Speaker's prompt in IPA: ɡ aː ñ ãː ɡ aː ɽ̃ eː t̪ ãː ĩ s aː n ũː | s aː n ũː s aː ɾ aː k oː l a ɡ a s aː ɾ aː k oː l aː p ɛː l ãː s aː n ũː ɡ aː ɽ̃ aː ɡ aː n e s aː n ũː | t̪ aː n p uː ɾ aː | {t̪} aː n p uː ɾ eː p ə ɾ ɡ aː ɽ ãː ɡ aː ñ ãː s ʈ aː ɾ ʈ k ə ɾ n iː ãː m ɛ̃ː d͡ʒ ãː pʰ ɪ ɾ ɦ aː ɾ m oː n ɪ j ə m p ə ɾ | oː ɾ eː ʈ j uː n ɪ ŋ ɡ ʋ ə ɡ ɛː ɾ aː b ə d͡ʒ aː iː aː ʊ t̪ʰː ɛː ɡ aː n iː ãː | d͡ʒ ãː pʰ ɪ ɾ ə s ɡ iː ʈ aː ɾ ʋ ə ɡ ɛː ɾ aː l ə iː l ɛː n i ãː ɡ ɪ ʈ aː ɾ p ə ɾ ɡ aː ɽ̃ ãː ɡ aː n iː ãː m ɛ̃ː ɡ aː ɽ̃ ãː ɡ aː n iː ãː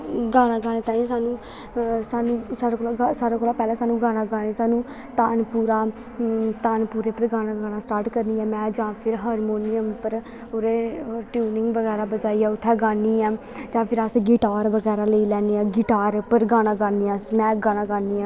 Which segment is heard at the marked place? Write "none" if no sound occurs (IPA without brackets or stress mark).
t̪